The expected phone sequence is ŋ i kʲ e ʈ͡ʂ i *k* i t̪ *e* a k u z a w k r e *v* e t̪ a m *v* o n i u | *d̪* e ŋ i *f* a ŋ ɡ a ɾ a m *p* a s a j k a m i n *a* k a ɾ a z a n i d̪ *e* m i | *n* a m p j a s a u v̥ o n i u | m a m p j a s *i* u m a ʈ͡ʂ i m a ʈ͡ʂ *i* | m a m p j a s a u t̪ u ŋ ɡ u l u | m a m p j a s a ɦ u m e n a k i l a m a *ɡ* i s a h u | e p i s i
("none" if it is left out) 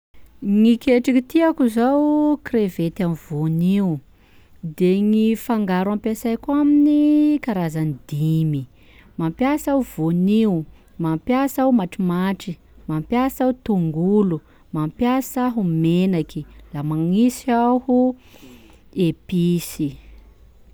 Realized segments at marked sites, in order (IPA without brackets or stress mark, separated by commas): k, i, v, v, d̪, f, p, i, i, m, a, i, ŋ